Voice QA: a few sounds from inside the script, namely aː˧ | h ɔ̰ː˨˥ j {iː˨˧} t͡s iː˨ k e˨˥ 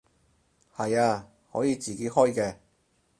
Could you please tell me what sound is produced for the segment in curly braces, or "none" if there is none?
iː˨˧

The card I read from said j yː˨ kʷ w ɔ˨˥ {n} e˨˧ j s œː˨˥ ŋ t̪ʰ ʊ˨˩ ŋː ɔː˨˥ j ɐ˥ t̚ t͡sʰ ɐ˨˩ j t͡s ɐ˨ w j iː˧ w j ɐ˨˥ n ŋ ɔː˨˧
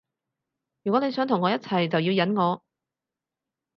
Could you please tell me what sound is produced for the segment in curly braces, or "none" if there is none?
n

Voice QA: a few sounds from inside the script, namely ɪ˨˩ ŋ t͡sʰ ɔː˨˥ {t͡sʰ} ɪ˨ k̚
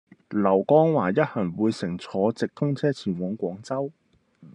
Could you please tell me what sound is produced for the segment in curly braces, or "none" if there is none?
t͡s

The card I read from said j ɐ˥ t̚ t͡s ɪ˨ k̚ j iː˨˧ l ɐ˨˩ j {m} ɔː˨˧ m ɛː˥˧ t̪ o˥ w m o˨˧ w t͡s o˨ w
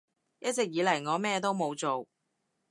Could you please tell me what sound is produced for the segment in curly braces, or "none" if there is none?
ŋ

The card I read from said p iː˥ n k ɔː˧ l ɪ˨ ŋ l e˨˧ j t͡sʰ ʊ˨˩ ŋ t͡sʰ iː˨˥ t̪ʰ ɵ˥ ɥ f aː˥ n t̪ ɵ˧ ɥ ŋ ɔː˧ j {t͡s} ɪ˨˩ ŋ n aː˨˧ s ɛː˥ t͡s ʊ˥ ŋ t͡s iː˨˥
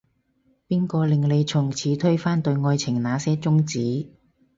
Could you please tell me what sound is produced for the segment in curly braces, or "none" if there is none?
t͡sʰ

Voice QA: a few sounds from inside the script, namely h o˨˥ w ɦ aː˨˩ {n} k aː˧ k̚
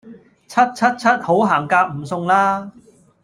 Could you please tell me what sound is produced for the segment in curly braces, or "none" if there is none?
ŋ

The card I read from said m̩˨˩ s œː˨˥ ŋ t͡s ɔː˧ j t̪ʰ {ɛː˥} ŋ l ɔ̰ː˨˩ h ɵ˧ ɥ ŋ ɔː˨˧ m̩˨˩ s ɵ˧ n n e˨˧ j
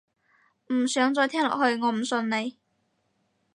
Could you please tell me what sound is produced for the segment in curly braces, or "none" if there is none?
ɛː˥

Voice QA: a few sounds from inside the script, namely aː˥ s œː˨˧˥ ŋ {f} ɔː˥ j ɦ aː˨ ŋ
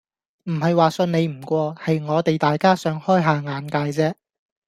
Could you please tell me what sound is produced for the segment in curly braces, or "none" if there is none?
h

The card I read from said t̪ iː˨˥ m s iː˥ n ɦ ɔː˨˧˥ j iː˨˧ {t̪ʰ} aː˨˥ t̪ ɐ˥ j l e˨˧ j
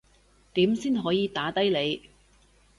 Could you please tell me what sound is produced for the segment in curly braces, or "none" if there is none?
t̪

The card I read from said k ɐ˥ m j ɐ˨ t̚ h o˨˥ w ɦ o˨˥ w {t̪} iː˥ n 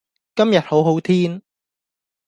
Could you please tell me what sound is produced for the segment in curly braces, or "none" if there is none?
t̪ʰ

